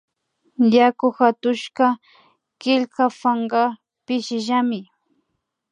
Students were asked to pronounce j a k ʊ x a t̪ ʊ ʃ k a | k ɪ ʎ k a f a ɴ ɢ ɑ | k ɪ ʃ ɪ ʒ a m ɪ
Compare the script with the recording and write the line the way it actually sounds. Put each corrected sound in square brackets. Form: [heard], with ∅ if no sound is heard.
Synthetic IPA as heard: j a k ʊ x a t̪ ʊ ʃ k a | k ɪ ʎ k a f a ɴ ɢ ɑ | [p] ɪ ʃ ɪ ʒ a m ɪ